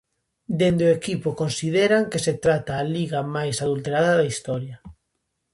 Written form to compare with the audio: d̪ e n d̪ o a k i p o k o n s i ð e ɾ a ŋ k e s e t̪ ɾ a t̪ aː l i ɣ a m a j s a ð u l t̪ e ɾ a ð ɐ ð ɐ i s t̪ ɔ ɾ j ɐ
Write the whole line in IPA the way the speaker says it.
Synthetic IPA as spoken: d̪ e n d̪ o e k i p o k o n s i ð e ɾ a ŋ k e s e t̪ ɾ a t̪ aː l i ɣ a m a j s a ð u l t̪ e ɾ a ð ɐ ð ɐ i s t̪ ɔ ɾ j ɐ